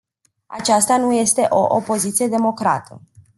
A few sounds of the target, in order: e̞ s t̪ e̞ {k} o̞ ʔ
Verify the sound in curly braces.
incorrect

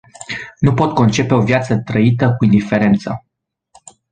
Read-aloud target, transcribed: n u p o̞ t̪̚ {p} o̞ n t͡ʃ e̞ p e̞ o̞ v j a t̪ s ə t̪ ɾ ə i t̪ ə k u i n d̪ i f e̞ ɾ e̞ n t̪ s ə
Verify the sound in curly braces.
incorrect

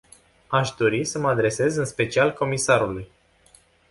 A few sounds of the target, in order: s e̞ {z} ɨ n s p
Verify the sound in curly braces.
correct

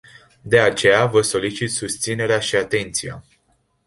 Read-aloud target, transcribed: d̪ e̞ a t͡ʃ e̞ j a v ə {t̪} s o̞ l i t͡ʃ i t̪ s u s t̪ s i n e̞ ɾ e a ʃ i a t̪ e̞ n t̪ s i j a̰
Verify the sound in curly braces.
incorrect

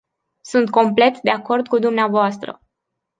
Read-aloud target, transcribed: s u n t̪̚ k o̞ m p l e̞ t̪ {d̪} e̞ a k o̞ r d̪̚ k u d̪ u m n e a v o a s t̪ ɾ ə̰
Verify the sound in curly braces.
correct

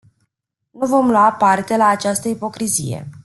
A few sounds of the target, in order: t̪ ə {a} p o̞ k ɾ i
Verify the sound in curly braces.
incorrect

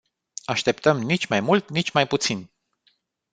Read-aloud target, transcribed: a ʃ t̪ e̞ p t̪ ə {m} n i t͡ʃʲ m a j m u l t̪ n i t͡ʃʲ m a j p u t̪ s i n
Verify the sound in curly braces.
correct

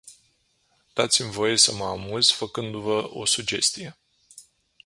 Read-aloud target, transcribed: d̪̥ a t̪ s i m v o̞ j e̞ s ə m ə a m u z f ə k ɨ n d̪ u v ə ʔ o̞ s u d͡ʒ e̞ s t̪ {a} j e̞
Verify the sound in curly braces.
incorrect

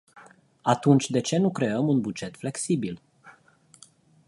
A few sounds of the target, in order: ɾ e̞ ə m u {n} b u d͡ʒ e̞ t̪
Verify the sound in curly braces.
correct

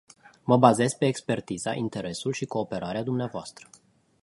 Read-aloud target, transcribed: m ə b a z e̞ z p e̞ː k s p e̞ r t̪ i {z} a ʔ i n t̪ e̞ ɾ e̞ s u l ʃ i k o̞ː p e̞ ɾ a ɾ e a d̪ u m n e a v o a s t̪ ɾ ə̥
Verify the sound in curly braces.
correct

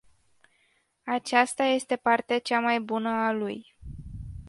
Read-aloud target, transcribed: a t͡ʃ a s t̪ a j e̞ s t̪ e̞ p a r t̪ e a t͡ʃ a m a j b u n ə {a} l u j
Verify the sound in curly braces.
correct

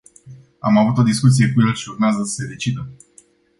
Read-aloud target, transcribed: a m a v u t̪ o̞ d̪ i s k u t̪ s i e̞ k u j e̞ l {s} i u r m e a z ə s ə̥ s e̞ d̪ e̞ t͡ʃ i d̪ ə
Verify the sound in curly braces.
incorrect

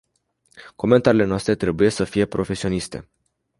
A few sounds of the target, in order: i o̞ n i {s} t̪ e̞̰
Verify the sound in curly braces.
correct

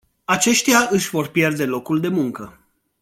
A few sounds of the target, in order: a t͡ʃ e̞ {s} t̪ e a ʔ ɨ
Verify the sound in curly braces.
incorrect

